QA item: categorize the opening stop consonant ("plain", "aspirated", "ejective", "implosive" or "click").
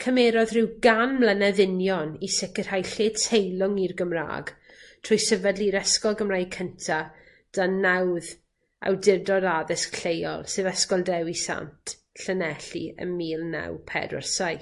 aspirated